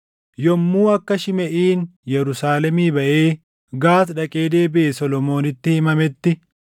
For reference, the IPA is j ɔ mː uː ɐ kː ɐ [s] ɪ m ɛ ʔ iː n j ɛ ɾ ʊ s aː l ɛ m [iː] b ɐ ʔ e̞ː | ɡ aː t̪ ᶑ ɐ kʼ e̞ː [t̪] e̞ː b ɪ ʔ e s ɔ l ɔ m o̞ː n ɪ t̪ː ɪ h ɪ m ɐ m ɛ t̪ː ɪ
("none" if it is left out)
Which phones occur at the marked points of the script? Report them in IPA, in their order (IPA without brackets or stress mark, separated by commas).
ʃ, iː, d̪